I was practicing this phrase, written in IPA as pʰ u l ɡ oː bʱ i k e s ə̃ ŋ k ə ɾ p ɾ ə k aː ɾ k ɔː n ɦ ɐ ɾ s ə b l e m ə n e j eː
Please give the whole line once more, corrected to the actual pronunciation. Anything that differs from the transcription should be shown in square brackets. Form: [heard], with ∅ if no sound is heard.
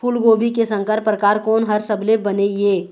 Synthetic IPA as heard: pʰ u l ɡ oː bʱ i k e s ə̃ ŋ k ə ɾ p ɾ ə k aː ɾ k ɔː n ɦ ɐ ɾ s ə b l e [b] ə n e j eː